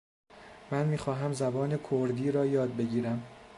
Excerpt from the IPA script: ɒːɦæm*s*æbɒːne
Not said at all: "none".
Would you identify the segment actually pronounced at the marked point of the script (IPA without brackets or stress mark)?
z